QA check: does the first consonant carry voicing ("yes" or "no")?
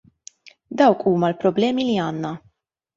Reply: yes